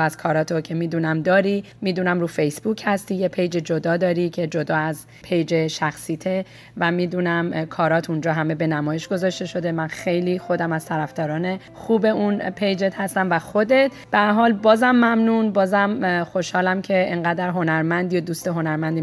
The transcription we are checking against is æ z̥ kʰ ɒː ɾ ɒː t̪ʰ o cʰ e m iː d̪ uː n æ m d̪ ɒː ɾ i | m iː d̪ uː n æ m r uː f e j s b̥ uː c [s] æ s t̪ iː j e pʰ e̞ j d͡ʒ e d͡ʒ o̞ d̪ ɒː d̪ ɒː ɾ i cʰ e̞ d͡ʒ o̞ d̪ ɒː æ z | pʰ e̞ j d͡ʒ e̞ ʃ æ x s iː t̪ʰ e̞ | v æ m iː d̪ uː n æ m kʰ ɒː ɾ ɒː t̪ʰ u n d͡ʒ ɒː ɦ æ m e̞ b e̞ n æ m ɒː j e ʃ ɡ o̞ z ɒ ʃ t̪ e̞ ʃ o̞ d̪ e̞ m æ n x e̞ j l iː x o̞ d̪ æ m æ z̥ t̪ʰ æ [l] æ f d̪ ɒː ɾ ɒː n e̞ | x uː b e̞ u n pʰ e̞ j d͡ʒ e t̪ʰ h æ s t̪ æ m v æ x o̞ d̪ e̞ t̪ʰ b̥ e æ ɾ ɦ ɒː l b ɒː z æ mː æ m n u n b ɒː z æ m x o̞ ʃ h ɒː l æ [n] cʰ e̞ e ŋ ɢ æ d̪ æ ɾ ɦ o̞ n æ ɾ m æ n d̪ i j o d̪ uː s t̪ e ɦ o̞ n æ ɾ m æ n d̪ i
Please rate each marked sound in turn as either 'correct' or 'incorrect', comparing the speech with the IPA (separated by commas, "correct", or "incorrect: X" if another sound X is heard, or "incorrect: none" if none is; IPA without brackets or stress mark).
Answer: incorrect: h, incorrect: ɾ, incorrect: m